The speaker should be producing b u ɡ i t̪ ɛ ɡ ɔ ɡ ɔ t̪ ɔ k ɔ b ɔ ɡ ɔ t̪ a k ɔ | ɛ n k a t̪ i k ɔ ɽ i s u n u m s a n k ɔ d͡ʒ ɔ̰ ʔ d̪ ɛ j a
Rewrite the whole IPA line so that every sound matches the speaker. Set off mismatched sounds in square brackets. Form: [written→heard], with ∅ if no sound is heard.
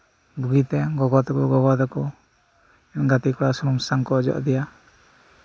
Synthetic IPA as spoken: b u ɡ i t̪ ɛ ɡ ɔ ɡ ɔ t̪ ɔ k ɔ [b→ɡ] ɔ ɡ ɔ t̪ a k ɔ | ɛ n [k→ɡ] a t̪ i k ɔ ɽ [i→a] s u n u m s a [n→ŋ] k ɔ d͡ʒ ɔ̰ ʔ d̪ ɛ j a